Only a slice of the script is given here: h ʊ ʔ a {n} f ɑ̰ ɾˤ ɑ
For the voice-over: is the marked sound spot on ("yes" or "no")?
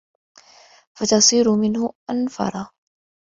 yes